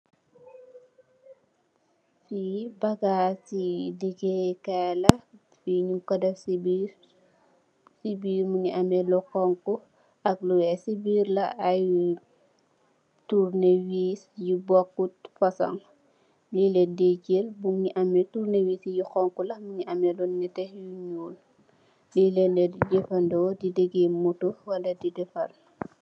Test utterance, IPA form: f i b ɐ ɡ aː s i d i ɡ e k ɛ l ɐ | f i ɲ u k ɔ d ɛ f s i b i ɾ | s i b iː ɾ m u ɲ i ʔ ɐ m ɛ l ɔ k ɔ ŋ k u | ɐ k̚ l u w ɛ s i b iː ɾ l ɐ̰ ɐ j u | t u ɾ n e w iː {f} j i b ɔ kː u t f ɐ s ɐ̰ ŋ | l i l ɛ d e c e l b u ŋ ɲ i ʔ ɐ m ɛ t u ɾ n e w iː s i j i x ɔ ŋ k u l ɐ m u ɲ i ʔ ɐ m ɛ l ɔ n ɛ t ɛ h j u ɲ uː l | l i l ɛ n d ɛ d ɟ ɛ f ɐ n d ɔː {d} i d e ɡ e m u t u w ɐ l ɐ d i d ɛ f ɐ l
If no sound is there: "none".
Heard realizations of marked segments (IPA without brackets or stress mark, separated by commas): s, d